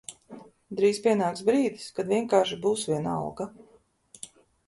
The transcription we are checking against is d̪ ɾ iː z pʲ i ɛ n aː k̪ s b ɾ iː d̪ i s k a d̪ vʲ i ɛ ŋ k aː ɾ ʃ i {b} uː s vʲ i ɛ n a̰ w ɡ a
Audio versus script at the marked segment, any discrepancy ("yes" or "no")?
no